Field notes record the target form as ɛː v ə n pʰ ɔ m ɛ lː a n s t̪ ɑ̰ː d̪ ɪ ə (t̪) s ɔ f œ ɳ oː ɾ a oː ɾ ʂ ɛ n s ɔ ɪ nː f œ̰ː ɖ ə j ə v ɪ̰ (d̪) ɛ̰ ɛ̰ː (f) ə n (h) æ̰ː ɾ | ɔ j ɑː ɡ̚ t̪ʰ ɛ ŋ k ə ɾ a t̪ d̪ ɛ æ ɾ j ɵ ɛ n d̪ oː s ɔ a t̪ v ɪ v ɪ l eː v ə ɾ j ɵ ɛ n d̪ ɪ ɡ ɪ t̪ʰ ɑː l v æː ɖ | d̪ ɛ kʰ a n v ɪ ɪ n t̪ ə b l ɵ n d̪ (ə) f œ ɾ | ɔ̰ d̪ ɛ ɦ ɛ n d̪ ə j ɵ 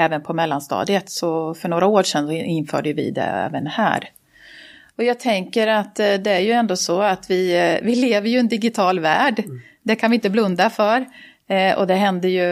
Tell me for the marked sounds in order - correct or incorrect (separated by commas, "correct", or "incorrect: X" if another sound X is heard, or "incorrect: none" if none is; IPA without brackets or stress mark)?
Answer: correct, correct, incorrect: v, correct, incorrect: a